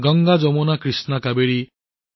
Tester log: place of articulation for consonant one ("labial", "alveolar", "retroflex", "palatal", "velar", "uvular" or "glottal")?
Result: velar